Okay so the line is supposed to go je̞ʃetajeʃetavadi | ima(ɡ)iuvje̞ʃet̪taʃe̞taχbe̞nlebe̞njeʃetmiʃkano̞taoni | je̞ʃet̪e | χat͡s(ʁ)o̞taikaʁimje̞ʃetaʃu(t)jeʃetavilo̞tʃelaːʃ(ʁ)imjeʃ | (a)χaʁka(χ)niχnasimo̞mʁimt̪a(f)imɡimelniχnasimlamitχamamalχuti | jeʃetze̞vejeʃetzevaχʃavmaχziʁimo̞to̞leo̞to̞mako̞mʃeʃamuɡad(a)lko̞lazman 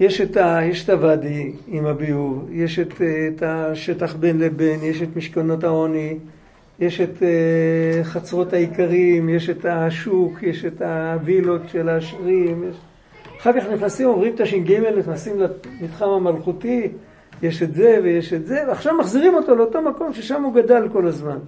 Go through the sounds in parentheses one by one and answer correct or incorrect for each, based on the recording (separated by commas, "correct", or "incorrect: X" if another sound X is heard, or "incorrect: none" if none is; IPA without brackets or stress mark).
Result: incorrect: b, correct, incorrect: k, correct, correct, correct, incorrect: ʃ, correct